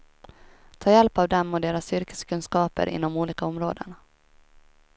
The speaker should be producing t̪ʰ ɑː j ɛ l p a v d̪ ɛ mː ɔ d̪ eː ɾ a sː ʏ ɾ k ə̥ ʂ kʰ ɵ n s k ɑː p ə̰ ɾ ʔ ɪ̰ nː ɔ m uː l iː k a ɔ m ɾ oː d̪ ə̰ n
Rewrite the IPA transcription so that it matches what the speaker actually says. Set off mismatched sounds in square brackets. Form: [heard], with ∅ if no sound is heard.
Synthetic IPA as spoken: t̪ʰ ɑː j ɛ l p a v d̪ ɛ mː ɔ d̪ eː ɾ a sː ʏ ɾ k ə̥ [s] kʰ ɵ n s k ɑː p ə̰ ɾ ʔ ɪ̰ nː ɔ m uː l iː k a ɔ m ɾ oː d̪ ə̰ n